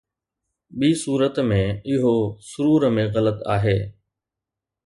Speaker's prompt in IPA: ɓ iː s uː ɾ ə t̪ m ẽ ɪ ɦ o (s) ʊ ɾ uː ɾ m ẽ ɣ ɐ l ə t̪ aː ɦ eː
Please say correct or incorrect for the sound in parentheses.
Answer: correct